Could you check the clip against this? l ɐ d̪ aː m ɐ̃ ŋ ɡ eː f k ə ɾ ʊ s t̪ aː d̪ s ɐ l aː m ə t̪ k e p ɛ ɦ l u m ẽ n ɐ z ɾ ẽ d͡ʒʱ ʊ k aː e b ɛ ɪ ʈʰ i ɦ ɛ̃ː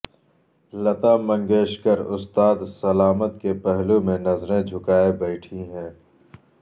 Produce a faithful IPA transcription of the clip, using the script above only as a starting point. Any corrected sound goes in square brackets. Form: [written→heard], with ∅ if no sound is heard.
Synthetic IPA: l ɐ [d̪→t̪] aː m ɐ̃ ŋ ɡ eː [f→ʃ] k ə ɾ ʊ s t̪ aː d̪ s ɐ l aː m ə t̪ k e p ɛ ɦ l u m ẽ n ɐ z ɾ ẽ d͡ʒʱ ʊ k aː e b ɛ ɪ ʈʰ i ɦ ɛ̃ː